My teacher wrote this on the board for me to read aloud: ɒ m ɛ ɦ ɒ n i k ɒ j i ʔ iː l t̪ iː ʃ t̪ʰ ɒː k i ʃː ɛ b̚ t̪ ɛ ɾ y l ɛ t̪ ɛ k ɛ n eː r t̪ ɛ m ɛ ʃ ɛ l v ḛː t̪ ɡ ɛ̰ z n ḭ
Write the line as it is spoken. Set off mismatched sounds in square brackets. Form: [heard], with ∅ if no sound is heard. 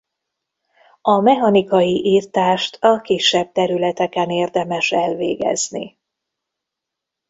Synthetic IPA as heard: ɒ m ɛ ɦ ɒ n i k ɒ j i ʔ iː [r] t̪ [aː] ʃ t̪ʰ [ɒ] k i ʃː ɛ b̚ t̪ ɛ ɾ y l ɛ t̪ ɛ k ɛ n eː r [d̪] ɛ m ɛ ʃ ɛ l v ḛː [∅] ɡ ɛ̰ z n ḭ